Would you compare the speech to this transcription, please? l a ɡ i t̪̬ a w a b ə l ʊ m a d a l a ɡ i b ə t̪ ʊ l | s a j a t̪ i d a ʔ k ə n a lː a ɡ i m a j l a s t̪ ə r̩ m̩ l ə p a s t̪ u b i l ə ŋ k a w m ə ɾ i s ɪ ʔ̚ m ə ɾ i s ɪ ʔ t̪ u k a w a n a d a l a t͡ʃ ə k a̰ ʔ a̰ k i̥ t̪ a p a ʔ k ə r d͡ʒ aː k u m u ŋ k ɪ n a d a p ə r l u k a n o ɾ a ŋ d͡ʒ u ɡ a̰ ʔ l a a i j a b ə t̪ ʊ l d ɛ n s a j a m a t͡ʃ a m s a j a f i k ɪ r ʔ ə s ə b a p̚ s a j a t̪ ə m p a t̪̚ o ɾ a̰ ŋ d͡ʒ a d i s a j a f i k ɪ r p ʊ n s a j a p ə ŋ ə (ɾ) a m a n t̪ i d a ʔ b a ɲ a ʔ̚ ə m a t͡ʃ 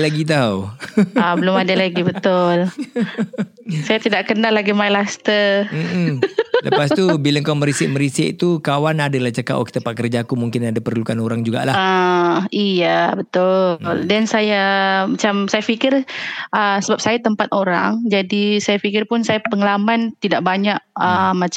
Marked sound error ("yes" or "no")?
yes